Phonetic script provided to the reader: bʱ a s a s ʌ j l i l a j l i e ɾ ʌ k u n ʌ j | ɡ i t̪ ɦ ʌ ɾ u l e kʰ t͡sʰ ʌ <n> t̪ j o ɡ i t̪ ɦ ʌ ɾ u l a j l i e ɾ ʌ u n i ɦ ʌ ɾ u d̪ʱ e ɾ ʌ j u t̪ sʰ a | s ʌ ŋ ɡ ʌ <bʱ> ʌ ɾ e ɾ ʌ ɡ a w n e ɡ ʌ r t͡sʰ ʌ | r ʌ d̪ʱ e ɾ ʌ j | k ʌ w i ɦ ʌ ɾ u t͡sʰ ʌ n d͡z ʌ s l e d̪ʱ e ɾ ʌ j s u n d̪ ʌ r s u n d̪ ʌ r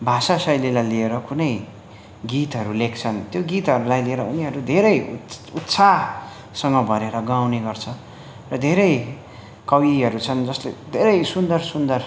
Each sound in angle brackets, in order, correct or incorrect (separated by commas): correct, correct